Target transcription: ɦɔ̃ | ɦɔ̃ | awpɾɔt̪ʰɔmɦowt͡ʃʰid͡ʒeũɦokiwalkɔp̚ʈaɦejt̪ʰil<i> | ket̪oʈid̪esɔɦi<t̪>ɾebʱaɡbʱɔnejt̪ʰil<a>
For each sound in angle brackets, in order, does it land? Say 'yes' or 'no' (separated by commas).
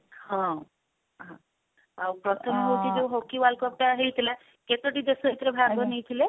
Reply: no, yes, no